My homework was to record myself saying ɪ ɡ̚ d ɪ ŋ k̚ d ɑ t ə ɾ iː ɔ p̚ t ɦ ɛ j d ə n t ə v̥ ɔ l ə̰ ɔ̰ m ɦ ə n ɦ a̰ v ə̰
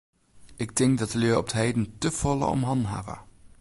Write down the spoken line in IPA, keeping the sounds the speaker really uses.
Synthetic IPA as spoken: ɪ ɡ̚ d ɪ ŋ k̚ d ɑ t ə l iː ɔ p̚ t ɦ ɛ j d ə n t ə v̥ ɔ l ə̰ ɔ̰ m ɦ ɑ n ɦ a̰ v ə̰